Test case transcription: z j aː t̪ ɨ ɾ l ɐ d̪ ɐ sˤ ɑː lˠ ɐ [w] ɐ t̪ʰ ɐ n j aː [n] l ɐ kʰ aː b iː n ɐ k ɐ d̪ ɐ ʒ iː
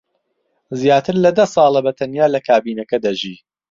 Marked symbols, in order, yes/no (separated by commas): no, no